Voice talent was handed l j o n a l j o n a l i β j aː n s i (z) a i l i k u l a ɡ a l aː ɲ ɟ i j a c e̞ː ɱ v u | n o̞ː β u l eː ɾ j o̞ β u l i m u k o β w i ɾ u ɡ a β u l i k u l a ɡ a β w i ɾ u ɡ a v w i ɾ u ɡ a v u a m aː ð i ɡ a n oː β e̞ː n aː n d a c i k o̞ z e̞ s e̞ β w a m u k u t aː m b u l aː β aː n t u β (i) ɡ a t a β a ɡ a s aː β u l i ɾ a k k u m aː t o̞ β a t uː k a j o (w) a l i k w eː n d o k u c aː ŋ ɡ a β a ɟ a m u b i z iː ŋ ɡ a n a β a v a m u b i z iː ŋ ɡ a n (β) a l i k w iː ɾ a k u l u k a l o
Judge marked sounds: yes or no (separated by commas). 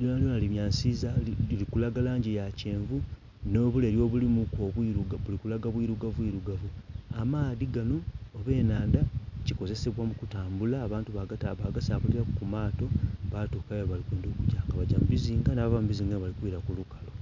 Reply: yes, no, no, yes